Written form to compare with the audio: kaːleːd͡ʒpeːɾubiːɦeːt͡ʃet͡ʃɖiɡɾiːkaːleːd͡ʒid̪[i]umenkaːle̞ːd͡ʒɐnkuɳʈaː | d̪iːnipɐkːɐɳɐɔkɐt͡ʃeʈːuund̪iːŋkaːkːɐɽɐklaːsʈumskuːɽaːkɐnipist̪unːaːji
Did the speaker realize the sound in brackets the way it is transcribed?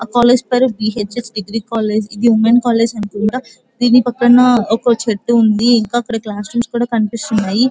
yes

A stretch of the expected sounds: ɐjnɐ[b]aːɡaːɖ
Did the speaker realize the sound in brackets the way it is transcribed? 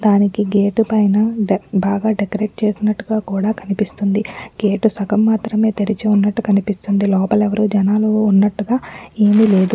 yes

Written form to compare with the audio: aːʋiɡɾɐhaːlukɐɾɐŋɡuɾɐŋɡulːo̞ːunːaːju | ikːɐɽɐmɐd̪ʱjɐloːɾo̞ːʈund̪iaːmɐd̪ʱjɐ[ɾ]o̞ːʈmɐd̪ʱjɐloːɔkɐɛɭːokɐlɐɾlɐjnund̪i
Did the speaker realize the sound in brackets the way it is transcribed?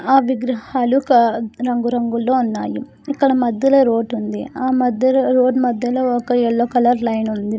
yes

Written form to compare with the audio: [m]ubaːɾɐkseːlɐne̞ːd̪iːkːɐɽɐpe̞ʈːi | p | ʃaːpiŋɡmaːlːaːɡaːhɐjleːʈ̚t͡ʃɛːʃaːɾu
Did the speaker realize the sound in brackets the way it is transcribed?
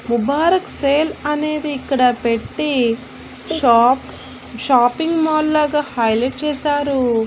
yes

